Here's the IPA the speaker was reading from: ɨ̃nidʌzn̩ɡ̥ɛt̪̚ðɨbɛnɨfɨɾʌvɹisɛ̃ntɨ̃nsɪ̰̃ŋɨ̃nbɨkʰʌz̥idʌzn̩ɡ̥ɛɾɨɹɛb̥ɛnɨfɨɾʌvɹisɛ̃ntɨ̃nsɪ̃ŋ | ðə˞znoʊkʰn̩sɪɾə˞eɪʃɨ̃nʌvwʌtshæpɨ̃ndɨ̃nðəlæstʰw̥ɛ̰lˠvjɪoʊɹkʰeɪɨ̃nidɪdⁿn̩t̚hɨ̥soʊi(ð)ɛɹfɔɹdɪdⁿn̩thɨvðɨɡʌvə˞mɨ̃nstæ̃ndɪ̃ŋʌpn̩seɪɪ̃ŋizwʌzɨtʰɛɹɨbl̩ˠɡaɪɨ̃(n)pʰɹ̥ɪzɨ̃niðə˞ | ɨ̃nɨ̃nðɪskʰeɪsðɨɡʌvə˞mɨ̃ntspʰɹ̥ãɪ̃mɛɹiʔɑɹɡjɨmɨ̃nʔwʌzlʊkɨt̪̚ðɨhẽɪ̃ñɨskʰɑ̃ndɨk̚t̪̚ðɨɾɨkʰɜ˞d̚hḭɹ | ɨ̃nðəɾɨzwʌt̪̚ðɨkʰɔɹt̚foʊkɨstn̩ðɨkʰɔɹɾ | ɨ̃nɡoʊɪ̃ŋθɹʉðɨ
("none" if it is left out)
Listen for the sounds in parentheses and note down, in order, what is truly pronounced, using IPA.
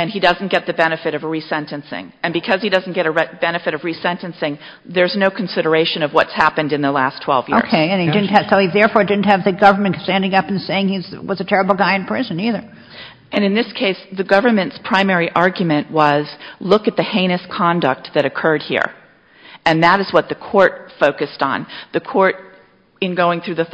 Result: ð, n

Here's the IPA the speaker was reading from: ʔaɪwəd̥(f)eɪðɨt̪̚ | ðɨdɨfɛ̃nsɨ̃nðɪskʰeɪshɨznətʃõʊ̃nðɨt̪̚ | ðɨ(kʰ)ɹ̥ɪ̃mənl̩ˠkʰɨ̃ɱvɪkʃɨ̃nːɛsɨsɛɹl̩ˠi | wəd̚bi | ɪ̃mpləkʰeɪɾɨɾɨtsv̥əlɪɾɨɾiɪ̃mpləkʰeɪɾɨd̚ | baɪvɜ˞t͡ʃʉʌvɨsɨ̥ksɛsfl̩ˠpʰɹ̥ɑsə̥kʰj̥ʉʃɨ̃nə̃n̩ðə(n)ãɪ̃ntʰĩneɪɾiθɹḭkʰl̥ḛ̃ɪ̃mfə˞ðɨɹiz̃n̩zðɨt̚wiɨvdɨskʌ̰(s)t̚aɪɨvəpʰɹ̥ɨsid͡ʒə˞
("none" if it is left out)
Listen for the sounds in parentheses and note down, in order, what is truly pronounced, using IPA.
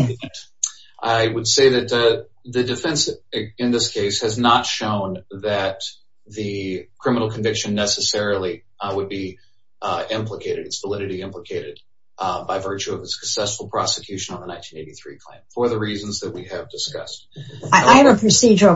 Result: s, kʰ, n, s

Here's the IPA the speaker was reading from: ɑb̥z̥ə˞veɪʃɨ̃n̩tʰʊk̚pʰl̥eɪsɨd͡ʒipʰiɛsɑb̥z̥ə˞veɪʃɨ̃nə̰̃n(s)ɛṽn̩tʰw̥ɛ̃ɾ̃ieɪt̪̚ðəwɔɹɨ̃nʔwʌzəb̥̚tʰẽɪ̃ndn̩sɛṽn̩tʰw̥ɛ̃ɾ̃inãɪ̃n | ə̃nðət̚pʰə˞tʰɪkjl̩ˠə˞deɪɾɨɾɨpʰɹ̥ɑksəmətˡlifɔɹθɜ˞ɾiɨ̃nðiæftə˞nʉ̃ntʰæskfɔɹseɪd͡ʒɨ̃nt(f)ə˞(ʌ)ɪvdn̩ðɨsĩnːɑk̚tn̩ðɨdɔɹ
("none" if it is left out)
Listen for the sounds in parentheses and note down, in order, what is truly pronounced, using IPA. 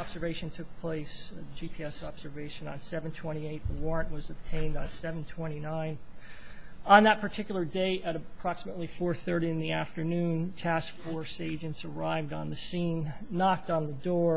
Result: s, s, a

